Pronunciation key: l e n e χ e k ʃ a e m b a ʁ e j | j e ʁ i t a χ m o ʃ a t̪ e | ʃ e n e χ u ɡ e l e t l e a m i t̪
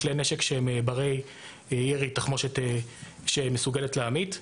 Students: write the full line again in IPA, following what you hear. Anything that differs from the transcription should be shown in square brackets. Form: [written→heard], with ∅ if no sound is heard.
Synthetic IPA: l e n e [χ→ʃ] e k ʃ [a→e] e m b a ʁ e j | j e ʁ i t a χ m o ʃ [a→e] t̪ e | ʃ e [n→m] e [χ→s] u ɡ e l e t l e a m i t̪